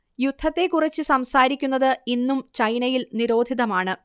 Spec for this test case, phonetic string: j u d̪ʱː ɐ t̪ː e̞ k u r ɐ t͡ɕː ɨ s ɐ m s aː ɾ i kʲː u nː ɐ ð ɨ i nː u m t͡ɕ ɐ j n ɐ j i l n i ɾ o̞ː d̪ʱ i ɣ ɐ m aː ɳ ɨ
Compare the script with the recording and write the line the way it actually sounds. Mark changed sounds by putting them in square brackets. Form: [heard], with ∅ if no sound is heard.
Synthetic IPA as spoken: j u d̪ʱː ɐ t̪ː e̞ k u r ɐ t͡ɕː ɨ s ɐ m s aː ɾ i kʲː u nː ɐ ð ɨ i nː u m t͡ɕ ɐ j n ɐ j i l n i ɾ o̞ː d̪ʱ i [ð] ɐ m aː ɳ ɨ